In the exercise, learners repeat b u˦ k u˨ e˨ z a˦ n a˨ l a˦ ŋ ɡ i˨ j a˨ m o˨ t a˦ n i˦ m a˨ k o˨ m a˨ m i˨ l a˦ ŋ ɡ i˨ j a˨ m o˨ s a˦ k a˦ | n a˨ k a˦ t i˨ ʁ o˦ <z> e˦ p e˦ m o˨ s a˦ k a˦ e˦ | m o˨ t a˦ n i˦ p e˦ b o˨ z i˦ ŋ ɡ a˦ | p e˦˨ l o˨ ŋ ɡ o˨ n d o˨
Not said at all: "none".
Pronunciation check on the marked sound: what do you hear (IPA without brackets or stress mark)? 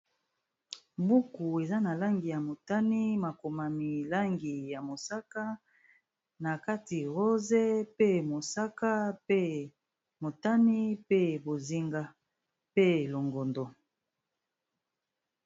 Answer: z